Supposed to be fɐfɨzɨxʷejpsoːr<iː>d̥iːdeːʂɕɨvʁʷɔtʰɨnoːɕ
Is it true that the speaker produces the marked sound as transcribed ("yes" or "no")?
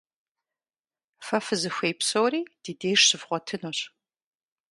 yes